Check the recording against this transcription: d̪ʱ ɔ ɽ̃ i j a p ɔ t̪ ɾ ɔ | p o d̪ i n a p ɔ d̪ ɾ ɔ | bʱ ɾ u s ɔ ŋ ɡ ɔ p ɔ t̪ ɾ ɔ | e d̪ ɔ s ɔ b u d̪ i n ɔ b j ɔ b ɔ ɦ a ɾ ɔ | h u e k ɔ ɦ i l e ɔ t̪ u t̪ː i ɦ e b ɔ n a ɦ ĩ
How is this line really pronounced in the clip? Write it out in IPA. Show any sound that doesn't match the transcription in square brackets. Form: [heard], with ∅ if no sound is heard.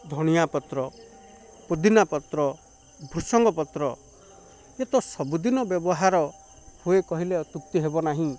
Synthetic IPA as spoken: d̪ʱ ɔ ɽ̃ i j a p ɔ t̪ ɾ ɔ | p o d̪ i n a p ɔ [t̪] ɾ ɔ | bʱ ɾ u s ɔ ŋ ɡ ɔ p ɔ t̪ ɾ ɔ | e [t̪] ɔ s ɔ b u d̪ i n ɔ b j ɔ b ɔ ɦ a ɾ ɔ | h u e k ɔ ɦ i l e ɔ t̪ u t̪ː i ɦ e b ɔ n a ɦ ĩ